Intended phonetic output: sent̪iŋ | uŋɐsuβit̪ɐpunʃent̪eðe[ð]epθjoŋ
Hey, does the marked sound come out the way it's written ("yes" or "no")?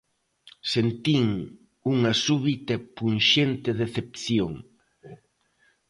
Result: no